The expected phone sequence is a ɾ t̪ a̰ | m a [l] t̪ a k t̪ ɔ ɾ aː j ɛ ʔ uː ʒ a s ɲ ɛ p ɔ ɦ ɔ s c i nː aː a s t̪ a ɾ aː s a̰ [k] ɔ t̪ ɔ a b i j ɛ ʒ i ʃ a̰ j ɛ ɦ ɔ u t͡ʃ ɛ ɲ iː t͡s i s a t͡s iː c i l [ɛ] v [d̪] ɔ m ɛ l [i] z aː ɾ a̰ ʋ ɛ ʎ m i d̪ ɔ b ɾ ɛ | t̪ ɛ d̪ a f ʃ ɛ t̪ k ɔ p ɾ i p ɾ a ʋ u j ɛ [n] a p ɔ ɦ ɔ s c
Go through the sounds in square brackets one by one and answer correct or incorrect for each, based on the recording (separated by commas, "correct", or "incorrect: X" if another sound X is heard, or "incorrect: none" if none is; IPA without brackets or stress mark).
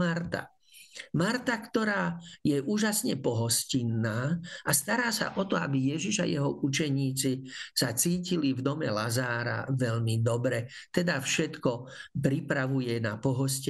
incorrect: ɾ, incorrect: ʔ, incorrect: i, correct, incorrect: a, correct